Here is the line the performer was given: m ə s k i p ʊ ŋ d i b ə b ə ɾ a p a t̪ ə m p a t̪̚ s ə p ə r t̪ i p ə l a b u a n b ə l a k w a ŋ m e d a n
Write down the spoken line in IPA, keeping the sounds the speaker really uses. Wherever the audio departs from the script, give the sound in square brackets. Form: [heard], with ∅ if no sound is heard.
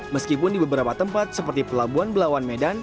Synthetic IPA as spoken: m ə s k i p ʊ [n] d i b ə b ə ɾ a p a t̪ ə m p a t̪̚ s ə p ə r t̪ i p ə l a b u a n b ə l a [∅] w a [n] m e d a n